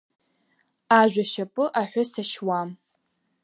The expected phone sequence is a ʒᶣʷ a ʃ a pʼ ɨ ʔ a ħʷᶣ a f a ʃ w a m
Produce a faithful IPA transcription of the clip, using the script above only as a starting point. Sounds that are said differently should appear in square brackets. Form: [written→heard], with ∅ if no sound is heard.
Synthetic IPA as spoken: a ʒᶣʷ a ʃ a pʼ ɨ ʔ a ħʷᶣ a [f→s] a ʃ w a m